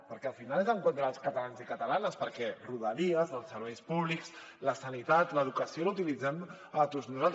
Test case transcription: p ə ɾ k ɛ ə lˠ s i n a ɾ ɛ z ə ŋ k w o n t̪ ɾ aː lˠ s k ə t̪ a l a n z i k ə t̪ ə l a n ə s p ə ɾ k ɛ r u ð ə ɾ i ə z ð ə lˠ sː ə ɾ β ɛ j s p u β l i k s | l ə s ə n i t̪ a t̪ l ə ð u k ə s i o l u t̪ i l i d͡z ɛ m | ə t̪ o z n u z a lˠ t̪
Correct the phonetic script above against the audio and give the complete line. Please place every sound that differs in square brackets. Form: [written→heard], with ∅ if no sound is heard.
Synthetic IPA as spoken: p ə ɾ k ɛ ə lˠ [s→f] i n a [ɾ→l] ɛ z ə ŋ k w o n t̪ ɾ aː lˠ s k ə t̪ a l a n z i k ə t̪ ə l a n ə s p ə ɾ k ɛ r u ð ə ɾ i ə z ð ə lˠ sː ə ɾ β ɛ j s p u β l i k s | l ə s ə n i t̪ a t̪ l ə ð u k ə s i o l u t̪ i l i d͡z ɛ m | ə t̪ o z n u z a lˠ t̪